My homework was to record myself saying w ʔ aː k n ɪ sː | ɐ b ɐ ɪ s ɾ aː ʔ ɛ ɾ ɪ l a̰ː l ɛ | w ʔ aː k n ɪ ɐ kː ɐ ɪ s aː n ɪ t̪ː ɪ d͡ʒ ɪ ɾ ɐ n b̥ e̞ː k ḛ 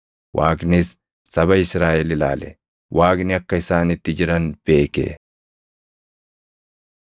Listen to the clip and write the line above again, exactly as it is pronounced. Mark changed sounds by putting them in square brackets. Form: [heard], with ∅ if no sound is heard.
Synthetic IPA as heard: w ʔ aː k n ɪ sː | ɐ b ɐ ɪ s ɾ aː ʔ ɛ [l] ɪ l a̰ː l ɛ | w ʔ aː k n ɪ ɐ kː ɐ ɪ s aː n ɪ t̪ː ɪ d͡ʒ ɪ ɾ ɐ n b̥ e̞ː k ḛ